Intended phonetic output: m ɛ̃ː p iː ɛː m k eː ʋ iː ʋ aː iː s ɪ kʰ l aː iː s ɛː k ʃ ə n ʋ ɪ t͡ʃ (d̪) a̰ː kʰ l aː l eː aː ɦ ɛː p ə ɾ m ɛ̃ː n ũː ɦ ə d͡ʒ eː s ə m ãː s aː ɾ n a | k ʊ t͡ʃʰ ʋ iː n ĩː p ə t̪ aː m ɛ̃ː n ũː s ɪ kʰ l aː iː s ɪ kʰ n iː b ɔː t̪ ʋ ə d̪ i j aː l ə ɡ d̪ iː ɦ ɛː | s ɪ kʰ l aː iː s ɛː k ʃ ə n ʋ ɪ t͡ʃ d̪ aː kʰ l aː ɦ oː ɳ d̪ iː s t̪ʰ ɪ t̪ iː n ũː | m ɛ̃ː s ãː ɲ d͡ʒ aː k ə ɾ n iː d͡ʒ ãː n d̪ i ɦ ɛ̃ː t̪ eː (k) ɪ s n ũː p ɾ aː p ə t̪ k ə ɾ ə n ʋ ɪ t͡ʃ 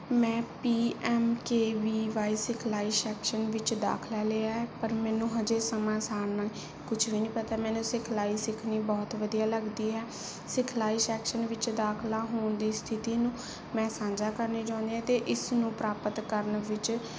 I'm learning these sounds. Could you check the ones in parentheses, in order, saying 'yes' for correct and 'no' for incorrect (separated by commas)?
yes, no